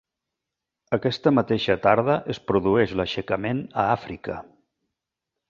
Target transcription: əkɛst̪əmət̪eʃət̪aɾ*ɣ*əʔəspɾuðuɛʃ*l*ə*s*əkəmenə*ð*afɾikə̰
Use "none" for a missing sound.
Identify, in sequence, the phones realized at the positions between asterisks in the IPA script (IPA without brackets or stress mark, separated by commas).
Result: ð, l, ʃ, none